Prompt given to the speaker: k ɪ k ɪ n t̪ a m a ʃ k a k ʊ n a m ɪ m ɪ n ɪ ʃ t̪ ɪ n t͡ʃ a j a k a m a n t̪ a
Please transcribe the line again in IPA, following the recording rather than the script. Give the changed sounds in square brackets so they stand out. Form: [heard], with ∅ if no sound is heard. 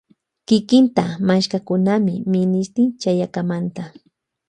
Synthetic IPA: k ɪ k ɪ n t̪ a m a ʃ k a k ʊ n a m ɪ m ɪ n ɪ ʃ t̪ ɪ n t͡ʃ a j a k a m a n t̪ a